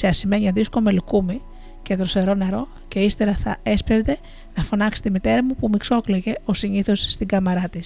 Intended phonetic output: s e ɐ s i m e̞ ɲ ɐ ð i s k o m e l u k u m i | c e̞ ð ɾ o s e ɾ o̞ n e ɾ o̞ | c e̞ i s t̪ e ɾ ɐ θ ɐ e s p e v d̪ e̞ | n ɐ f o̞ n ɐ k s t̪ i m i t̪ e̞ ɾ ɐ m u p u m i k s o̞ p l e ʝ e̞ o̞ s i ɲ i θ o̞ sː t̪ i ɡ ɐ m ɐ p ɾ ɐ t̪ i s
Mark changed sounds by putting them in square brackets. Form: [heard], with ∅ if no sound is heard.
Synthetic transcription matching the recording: s e ɐ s i m e̞ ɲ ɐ ð i s k o m e l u k u m i | c e̞ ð ɾ o s e ɾ o̞ n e ɾ o̞ | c e̞ i s t̪ e ɾ ɐ θ ɐ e s p e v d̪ e̞ | n ɐ f o̞ n ɐ k s t̪ i m i t̪ e̞ ɾ ɐ m u p u m i k s o̞ [k] l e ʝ e̞ o̞ s i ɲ i θ o̞ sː t̪ i ɡ ɐ m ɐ [∅] ɾ ɐ t̪ i s